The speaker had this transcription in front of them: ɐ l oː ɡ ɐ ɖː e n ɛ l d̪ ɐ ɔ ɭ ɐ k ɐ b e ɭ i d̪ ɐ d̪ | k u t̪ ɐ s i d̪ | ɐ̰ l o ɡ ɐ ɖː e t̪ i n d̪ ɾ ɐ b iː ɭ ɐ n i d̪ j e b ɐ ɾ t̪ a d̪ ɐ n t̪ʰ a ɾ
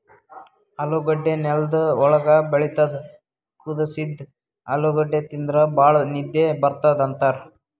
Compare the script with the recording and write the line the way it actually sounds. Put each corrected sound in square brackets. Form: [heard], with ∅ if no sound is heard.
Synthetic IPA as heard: ɐ l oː ɡ ɐ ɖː e n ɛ l d̪ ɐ ɔ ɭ ɐ [ɡ] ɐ b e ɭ i [t̪] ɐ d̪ | k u [d̪] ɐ s i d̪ | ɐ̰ l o ɡ ɐ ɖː e t̪ i n d̪ ɾ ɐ b [aː] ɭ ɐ n i d̪ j e b ɐ ɾ t̪ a d̪ ɐ n [t̪] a ɾ